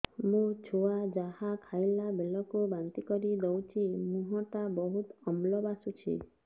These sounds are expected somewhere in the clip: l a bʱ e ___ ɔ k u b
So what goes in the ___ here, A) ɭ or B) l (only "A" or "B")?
B